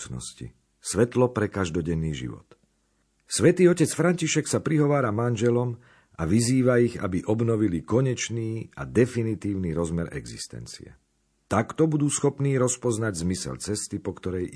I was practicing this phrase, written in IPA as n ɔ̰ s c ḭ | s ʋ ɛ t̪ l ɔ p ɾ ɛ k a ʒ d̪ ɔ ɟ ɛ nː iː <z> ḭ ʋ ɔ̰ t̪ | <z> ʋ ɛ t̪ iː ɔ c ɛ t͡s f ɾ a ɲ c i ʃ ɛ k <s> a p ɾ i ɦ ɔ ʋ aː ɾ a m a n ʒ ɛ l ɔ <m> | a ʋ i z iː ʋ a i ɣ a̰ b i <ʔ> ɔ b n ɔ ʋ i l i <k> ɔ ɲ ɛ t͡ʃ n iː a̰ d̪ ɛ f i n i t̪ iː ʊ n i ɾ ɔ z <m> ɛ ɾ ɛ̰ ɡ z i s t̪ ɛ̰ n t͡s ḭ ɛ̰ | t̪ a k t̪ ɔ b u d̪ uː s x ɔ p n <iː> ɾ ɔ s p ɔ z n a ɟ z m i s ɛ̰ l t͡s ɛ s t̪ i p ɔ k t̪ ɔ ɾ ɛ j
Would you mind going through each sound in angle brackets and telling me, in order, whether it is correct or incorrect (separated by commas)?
incorrect, incorrect, correct, correct, correct, correct, correct, correct